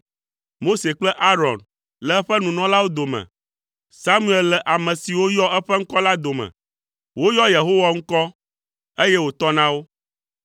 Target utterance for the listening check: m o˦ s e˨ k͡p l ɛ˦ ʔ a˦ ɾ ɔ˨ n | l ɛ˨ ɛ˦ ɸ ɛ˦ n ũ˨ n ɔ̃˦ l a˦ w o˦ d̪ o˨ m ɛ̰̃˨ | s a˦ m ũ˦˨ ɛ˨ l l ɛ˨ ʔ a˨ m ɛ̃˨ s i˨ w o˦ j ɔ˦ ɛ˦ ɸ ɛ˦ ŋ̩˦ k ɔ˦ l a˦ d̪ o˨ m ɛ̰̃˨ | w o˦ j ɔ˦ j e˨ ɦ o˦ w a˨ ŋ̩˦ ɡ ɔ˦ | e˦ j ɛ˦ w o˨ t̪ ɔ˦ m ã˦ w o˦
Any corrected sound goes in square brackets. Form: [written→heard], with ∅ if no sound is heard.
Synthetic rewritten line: m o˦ s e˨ k͡p l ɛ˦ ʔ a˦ ɾ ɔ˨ n | l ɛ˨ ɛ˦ ɸ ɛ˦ n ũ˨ n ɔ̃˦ l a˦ w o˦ d̪ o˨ m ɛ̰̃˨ | s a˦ m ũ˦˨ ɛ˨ l l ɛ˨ ʔ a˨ m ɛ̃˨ s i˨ w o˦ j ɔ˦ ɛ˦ ɸ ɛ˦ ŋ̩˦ k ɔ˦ l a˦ d̪ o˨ m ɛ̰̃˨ | w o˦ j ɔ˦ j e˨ ɦ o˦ w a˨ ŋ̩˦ [ɡ→k] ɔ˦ | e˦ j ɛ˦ w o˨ t̪ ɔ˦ [m→n] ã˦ w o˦